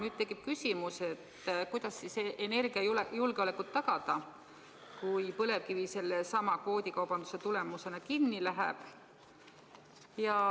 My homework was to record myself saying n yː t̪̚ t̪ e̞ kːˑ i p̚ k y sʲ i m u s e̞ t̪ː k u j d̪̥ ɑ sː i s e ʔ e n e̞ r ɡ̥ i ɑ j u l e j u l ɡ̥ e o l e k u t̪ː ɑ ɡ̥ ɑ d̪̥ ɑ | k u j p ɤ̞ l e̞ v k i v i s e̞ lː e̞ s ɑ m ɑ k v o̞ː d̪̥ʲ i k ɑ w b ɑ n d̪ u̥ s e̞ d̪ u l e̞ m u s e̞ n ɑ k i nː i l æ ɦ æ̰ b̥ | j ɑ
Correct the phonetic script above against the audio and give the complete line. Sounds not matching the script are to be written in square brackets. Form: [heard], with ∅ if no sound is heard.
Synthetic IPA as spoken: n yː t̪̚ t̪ e̞ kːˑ i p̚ k y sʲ i m u s e̞ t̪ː k u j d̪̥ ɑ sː i s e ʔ e n e̞ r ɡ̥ i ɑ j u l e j u l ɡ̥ e o l e k u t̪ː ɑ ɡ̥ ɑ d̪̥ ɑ | k u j p ɤ̞ l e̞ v k i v i s e̞ lː e̞ s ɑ m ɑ k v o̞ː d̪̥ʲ i k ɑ w b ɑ n d̪ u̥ s e̞ [t̪] u l e̞ m u s e̞ n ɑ k i nː i l æ ɦ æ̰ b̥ | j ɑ

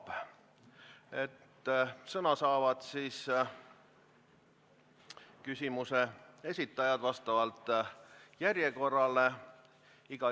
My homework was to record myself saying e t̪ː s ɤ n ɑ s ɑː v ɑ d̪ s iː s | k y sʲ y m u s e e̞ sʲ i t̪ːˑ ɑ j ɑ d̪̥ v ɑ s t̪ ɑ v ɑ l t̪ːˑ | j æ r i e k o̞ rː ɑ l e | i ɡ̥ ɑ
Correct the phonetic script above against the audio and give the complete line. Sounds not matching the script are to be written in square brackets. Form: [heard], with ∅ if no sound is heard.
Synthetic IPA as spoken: e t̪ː s ɤ n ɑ s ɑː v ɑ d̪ s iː s | k y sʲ [i] m u s e e̞ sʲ i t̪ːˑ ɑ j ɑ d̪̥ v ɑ s t̪ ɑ v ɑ l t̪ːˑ | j æ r [j] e k o̞ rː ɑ l e | i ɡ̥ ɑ

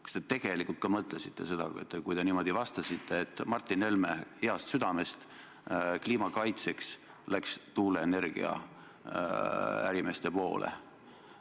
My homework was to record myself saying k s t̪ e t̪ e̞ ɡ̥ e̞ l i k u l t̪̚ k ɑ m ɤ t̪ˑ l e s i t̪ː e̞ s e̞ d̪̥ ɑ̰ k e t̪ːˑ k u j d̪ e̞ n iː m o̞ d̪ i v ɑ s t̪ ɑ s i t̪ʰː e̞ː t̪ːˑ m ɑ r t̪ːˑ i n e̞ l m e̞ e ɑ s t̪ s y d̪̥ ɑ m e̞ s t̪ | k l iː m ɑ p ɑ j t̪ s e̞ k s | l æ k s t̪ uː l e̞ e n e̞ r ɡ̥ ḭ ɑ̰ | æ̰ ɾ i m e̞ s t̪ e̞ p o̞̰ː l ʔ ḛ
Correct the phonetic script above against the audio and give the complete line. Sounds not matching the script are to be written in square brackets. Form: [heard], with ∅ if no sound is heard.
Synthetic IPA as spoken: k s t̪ e t̪ e̞ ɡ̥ e̞ l i k u l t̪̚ k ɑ m ɤ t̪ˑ l e s i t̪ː e̞ s e̞ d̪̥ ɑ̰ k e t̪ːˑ k u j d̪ e̞ n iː m o̞ d̪ i v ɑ s t̪ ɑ s i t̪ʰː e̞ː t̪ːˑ m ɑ r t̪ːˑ i n e̞ l m e̞ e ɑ s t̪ s y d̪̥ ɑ m e̞ s t̪ | k l iː m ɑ [k] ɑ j t̪ s e̞ k s | l æ k s t̪ uː l e̞ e n e̞ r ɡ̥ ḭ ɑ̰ | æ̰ ɾ i m e̞ s t̪ e̞ p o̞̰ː l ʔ ḛ

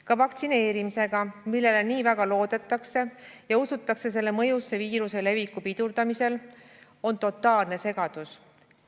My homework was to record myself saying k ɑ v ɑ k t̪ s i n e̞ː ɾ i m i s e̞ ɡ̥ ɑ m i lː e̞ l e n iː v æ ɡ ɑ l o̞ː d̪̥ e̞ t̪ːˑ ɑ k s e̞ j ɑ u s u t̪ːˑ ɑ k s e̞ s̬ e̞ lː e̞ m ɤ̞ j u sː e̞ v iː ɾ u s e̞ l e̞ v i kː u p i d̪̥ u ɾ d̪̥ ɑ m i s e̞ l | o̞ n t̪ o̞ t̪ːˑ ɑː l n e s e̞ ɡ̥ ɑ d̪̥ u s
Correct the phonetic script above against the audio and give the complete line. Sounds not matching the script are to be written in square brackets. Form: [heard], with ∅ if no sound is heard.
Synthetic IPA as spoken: k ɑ v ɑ k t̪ s i n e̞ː ɾ i m i s e̞ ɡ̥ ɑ m i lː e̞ l e n iː v æ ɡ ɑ l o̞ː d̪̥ e̞ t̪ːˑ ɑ k s e̞ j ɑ u s u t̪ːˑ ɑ k s e̞ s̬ e̞ lː e̞ m ɤ̞ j u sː e̞ v iː ɾ u s e̞ l e̞ v i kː u p i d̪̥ u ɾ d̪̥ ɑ m i s e̞ l | o̞ n t̪ o̞ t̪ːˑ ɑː l n e s e̞ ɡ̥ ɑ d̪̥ u s

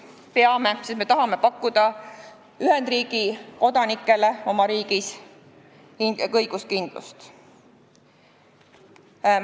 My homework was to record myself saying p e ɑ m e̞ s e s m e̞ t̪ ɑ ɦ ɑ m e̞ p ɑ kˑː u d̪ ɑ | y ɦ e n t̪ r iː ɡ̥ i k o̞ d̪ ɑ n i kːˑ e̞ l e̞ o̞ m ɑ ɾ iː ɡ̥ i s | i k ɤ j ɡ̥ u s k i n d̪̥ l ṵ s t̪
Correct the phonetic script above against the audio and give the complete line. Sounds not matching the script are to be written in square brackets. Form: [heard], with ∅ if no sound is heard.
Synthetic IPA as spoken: p e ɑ m e̞ s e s m e̞ t̪ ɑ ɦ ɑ m e̞ p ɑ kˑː u d̪ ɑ | y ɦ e n [d̪] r iː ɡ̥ i k o̞ d̪ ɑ n i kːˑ e̞ l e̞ o̞ m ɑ ɾ iː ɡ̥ i s | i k ɤ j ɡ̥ u s k i n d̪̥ l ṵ s t̪

